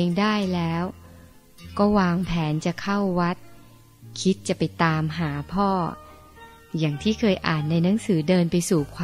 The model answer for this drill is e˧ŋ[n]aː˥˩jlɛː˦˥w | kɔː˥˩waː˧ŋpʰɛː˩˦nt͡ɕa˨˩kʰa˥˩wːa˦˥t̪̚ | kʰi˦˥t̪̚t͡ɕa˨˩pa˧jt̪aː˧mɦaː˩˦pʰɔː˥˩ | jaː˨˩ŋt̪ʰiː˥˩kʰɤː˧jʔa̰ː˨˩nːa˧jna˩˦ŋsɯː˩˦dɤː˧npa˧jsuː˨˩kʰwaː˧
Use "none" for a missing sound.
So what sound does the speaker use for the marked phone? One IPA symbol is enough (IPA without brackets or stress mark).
d